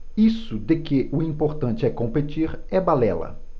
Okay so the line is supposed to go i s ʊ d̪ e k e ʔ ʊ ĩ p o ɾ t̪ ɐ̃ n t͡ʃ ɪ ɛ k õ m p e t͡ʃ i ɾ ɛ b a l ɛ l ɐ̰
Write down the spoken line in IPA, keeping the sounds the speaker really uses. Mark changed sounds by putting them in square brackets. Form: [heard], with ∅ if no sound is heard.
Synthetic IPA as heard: i s ʊ d̪ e k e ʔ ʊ ĩ p o ɾ t̪ ɐ̃ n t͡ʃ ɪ ɛ k õ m p e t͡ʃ i ɾ ɛ b a l ɛ l ɐ̰